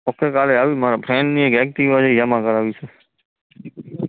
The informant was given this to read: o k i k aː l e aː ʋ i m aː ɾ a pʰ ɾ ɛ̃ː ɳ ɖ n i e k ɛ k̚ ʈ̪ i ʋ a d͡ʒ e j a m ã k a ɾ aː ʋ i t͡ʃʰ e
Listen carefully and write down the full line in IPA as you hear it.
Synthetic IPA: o k e k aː l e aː ʋ i m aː ɾ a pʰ ɾ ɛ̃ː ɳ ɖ n i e k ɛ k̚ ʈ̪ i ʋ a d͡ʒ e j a m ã k ə ɾ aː ʋ i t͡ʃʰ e